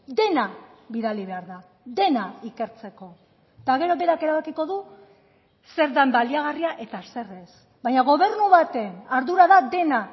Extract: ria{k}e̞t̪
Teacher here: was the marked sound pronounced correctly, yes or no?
no